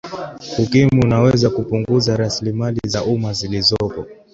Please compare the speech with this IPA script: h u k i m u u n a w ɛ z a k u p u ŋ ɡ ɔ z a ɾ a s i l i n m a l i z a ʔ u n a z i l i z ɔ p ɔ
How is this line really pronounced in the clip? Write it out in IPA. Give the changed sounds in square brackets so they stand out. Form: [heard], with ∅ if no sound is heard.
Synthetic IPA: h u k i m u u n a w ɛ z a k u p u ŋ ɡ [u] z a ɾ a s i l i [∅] m a l i z a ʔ u [m] a z i l i z ɔ p ɔ